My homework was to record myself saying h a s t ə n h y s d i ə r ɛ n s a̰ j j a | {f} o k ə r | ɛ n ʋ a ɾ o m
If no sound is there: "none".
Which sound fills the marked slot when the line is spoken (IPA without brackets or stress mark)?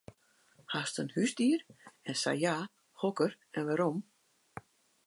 h